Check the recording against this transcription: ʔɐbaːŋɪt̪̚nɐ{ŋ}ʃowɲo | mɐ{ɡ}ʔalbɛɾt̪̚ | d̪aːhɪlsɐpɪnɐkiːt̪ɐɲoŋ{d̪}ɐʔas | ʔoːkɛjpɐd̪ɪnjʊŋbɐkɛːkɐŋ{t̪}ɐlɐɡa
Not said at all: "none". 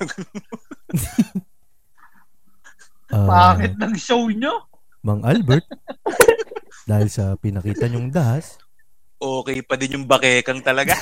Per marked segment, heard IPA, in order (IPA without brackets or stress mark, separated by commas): ŋ, ŋ, d̪, t̪